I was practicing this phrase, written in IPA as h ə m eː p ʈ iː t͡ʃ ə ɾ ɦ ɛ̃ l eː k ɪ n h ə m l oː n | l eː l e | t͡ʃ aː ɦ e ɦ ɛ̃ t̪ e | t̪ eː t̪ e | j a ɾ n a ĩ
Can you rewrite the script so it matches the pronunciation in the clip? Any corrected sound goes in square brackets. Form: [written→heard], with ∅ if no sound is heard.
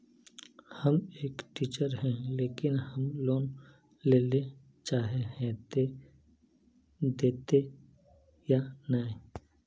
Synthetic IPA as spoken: h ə m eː [p→k] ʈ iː t͡ʃ ə ɾ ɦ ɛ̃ l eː k ɪ n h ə m l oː n | l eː l e | t͡ʃ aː ɦ e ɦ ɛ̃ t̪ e | [t̪→d̪] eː t̪ e | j a [ɾ→∅] n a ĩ